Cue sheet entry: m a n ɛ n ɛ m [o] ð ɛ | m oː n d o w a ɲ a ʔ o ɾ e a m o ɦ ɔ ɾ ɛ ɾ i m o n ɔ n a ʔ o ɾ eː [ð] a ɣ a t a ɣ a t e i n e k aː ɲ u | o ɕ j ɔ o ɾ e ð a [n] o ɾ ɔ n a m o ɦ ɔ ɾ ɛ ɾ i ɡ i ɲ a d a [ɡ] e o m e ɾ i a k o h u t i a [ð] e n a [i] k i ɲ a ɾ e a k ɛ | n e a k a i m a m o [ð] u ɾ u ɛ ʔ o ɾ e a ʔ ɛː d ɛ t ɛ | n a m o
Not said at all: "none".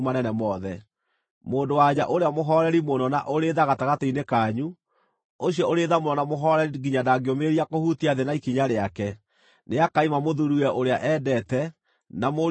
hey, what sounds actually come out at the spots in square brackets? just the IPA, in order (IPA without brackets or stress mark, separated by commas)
ɔ, ð, m, ɡ, ð, i, ð